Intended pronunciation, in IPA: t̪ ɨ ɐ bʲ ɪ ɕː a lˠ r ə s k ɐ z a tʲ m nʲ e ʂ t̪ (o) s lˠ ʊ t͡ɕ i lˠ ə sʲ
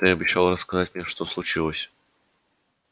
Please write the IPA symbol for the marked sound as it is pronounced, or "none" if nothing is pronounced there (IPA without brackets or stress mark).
o